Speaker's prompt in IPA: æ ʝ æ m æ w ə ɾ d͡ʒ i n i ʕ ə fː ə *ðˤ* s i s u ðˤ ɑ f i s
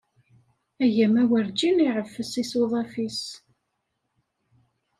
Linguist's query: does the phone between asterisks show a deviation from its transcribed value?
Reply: yes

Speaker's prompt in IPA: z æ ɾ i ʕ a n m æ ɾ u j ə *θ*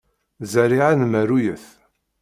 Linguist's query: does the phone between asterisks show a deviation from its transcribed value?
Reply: no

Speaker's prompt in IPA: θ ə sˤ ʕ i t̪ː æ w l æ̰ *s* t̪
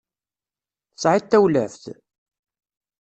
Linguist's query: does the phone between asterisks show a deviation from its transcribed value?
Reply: yes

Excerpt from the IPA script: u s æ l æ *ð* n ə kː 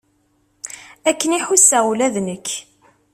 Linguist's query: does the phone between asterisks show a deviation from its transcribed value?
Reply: no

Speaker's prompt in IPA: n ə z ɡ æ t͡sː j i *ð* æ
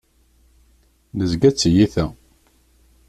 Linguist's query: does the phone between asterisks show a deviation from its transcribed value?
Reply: yes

